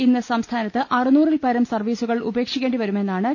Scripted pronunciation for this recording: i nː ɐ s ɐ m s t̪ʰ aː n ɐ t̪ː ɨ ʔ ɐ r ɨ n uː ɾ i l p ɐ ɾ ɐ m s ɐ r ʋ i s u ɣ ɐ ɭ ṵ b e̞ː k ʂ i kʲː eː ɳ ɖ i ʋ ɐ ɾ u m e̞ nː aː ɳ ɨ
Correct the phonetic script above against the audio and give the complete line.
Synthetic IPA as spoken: i nː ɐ s ɐ m s t̪ʰ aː n ɐ t̪ː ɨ ʔ ɐ r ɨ n uː r i l p ɐ ɾ ɐ m s ɐ r ʋ iː s u ɣ ɐ ɭ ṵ b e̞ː k ʂ i kʲː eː ɳ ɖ i ʋ ɐ ɾ u m e̞ nː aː ɳ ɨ